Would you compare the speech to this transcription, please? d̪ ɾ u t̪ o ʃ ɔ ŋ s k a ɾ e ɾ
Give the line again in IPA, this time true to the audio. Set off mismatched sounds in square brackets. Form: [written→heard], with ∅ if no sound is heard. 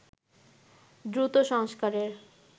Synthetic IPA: d̪ ɾ u t̪ o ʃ ɔ ŋ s k a ɾ e ɾ